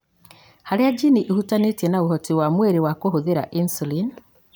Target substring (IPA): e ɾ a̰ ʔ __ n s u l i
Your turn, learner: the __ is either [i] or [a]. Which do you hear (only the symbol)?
i